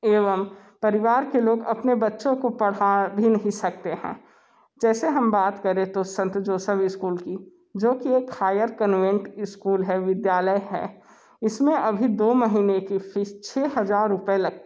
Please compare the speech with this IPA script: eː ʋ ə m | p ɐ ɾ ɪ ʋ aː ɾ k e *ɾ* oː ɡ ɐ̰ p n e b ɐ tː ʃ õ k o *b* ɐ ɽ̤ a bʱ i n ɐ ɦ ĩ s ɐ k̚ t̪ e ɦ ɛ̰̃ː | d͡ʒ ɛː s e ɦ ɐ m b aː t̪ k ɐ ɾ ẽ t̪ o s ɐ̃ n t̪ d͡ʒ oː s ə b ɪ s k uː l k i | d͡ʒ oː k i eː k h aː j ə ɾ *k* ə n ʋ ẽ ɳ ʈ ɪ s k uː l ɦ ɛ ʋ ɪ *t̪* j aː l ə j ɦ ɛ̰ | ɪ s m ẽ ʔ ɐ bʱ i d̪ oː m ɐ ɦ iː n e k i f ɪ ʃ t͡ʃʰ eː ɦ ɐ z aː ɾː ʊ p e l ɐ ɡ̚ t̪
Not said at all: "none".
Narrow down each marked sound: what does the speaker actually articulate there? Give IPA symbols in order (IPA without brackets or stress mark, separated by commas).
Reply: l, p, k, d̪